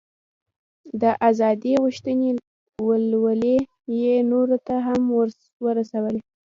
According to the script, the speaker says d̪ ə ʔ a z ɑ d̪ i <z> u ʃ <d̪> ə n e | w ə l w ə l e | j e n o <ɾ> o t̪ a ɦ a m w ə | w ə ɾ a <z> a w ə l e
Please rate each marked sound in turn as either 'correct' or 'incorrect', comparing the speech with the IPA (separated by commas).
incorrect, incorrect, correct, incorrect